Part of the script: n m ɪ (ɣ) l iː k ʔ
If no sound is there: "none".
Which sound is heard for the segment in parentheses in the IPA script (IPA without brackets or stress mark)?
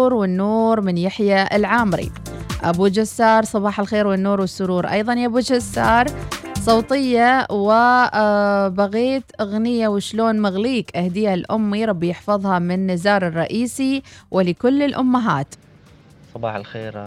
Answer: ɣ